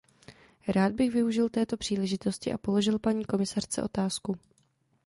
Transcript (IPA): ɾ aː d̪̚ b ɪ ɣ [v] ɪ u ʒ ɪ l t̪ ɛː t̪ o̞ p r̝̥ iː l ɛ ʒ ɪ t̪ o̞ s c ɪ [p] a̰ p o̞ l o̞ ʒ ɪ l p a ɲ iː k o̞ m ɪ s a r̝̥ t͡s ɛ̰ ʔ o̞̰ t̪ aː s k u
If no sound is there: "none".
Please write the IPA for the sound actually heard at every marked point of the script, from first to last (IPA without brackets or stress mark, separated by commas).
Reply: v, ʔ